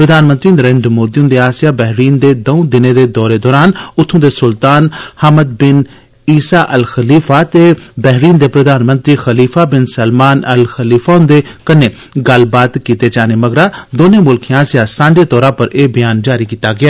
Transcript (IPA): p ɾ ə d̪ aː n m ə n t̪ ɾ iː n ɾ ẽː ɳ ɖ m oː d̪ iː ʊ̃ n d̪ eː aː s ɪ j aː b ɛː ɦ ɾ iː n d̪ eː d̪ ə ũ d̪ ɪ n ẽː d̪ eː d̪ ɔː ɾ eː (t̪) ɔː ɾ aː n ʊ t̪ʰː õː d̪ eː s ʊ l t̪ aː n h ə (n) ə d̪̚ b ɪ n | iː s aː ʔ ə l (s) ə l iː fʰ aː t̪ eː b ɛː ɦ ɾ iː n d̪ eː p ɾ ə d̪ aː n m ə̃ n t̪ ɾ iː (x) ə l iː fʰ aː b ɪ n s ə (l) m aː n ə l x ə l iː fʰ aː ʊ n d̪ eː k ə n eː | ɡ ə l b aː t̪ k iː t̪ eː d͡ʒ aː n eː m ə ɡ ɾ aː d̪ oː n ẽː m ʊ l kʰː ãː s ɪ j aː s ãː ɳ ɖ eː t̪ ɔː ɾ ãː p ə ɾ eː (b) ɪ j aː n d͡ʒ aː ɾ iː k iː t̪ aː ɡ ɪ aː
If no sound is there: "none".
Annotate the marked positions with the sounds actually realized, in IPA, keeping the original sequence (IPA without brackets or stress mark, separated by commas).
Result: d̪, m, x, x, l, b